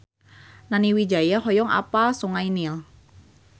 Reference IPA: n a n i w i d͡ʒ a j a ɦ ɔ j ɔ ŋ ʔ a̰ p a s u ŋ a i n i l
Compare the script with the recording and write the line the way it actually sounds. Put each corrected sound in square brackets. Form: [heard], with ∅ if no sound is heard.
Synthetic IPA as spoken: n a n i w i d͡ʒ a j a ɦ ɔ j ɔ ŋ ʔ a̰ p a s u ŋ a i n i l